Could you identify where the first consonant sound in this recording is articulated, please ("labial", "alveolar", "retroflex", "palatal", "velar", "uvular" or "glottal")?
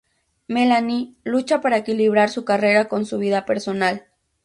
labial